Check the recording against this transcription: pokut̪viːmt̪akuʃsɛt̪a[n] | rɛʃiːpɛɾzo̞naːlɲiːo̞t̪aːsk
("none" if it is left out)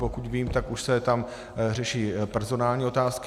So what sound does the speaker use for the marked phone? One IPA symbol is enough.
m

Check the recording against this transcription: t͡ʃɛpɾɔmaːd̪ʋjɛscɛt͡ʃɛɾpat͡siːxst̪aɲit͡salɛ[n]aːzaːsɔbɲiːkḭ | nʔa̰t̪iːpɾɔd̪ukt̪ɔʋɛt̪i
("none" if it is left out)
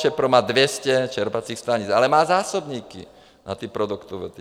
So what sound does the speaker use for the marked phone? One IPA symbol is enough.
m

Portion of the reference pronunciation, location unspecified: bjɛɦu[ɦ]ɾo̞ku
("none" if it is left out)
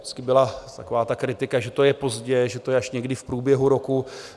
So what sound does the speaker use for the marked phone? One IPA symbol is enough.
none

